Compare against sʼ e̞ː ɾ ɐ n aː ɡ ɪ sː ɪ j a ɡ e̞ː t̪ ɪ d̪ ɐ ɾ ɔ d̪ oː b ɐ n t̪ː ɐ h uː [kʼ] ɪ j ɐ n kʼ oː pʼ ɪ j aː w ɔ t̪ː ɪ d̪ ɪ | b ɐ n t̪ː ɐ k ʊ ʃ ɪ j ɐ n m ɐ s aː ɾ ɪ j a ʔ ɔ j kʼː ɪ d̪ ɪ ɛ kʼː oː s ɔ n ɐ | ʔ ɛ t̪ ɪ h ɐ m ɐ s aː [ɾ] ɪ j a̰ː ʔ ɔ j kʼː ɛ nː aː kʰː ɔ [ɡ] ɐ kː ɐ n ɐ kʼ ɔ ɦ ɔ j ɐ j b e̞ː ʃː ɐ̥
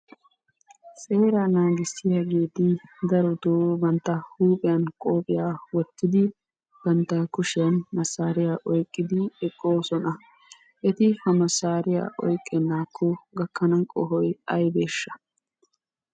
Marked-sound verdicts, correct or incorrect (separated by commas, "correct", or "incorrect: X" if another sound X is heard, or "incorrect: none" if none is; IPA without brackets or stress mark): incorrect: pʼ, correct, correct